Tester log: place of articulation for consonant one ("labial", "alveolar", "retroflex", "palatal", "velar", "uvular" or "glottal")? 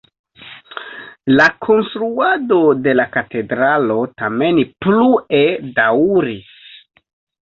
alveolar